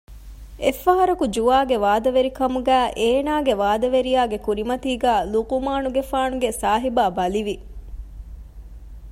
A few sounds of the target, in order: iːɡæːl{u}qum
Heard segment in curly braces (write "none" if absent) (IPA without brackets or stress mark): u